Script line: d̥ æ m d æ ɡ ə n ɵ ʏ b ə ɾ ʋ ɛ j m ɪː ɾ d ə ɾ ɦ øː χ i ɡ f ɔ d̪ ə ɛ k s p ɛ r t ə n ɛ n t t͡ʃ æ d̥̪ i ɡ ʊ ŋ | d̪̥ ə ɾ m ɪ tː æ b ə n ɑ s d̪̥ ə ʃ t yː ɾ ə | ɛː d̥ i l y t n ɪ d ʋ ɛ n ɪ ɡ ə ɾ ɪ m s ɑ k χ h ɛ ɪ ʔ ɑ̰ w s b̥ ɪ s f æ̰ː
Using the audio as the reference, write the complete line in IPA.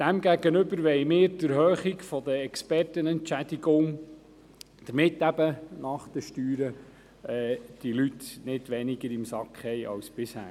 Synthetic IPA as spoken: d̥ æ m ɡ æ ɡ ə n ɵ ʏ b ə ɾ ʋ ɛ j m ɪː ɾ d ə ɾ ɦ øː χ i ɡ f ɔ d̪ ə ɛ k s p ɛ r t ə n ɛ n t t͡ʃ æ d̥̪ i ɡ ʊ ŋ | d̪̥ ə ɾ m ɪ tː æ b ə n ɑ χ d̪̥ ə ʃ t yː ɾ ə | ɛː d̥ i l y t n ɪ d ʋ ɛ n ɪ ɡ ə ɾ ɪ m s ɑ k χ h ɛ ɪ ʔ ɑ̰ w s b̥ ɪ s h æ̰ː